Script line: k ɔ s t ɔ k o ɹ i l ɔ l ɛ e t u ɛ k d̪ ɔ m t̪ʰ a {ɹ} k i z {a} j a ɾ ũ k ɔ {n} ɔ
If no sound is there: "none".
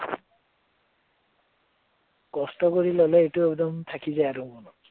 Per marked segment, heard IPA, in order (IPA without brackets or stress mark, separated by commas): none, a, n